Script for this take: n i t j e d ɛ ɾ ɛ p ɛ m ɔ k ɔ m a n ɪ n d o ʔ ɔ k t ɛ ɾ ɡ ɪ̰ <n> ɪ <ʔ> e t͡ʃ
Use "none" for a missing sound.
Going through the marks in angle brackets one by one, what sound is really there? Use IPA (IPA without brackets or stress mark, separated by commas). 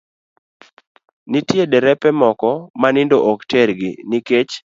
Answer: n, k